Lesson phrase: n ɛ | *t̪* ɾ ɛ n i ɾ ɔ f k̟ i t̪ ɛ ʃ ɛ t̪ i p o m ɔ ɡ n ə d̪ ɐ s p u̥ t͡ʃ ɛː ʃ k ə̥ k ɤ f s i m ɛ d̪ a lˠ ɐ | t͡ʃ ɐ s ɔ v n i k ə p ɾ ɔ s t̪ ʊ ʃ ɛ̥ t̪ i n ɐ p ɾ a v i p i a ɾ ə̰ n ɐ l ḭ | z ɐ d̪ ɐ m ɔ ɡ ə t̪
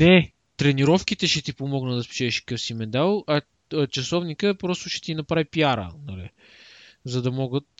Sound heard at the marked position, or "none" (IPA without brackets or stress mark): t̪